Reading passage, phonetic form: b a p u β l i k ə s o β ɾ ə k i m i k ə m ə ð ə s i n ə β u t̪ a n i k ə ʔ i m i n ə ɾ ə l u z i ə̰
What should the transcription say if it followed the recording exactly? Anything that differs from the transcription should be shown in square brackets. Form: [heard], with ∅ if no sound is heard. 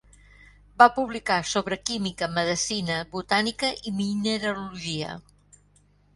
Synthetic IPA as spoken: b a p u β l i k [a] s o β ɾ ə k i m i k ə m ə ð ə s i n ə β u t̪ a n i k ə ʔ i m i n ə ɾ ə l u [ʒ] i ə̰